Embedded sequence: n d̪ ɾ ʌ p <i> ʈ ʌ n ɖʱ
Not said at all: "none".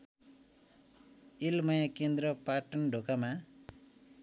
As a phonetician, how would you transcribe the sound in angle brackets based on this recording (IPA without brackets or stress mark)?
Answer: a